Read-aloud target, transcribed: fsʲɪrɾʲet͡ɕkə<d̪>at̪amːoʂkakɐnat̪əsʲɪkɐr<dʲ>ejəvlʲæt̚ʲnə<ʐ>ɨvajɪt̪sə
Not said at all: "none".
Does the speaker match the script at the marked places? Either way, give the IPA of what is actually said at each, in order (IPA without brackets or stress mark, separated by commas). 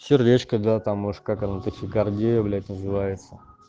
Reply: d̪, dʲ, z